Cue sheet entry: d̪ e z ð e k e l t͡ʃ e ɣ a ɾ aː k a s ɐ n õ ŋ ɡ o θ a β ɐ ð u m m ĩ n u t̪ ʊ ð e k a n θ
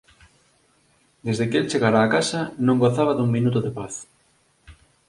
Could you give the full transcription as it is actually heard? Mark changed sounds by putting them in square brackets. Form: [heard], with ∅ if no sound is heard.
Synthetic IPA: d̪ e z ð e k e l t͡ʃ e ɣ a ɾ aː k a s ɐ n õ ŋ ɡ o θ a β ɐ ð u [ŋ] m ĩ n u t̪ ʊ ð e [p] a [∅] θ